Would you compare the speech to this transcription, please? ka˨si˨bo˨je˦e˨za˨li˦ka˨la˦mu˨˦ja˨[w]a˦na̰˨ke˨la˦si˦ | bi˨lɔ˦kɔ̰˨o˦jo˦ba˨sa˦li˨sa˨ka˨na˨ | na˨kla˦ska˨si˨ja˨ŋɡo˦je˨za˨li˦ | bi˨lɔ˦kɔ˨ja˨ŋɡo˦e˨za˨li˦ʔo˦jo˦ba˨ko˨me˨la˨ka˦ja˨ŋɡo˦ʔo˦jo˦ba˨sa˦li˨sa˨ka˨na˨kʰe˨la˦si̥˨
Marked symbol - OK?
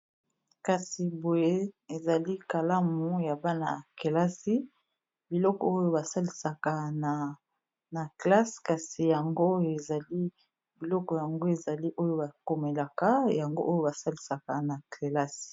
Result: no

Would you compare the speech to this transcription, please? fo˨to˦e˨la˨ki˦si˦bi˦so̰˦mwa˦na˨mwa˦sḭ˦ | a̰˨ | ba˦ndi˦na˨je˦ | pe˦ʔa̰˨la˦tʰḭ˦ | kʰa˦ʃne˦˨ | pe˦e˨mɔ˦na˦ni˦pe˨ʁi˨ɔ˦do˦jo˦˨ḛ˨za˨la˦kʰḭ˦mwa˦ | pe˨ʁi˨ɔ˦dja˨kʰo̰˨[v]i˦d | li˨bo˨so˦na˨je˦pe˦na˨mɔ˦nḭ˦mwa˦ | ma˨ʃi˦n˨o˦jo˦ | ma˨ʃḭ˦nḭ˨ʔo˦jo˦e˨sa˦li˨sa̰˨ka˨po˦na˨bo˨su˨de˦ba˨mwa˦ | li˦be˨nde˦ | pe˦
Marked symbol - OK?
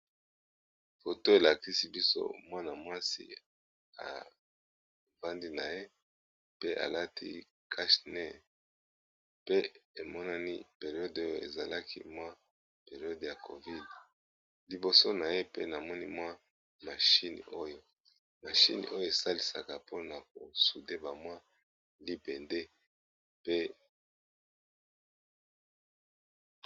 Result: yes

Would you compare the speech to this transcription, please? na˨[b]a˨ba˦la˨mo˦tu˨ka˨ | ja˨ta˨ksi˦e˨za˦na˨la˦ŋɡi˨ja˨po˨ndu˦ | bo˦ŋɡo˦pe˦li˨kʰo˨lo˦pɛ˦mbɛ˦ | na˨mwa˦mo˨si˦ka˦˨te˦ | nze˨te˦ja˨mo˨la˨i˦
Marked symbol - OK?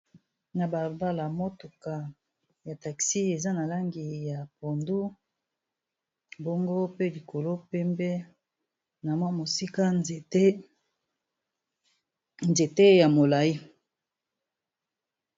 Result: yes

